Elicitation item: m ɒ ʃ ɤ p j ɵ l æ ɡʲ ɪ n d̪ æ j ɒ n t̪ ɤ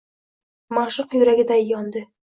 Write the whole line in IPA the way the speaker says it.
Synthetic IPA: m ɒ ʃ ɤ q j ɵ ɾ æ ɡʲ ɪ d̪ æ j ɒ n d̪ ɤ